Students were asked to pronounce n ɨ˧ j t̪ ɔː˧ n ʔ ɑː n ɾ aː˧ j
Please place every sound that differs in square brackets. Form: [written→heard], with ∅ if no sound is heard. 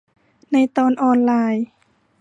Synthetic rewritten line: n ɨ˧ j t̪ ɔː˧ n ʔ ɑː n [ɾ→l] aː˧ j